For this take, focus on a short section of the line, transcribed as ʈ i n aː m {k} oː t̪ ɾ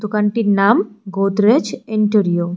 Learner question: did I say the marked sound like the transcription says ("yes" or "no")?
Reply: no